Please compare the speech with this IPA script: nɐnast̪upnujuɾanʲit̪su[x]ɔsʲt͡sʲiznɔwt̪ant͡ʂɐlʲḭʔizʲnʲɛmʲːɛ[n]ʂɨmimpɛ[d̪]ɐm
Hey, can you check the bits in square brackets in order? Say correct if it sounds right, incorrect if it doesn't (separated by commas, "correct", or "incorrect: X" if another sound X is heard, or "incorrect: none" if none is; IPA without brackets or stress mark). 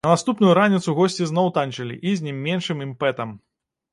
incorrect: ɣ, correct, incorrect: t̪